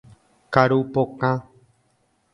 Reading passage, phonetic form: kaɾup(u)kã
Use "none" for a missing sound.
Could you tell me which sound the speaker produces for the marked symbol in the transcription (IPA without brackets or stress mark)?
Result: o